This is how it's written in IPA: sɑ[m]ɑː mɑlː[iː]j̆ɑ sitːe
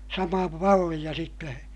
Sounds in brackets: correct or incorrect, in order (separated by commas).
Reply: correct, incorrect